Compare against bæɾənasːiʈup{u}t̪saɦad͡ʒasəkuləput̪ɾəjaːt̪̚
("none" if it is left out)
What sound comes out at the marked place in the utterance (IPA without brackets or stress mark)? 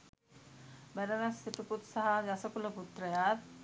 u